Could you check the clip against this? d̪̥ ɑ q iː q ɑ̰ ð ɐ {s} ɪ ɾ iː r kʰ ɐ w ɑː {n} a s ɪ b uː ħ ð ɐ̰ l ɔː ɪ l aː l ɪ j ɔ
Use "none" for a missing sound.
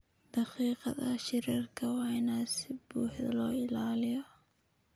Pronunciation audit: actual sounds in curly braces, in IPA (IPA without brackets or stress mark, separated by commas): ʃ, n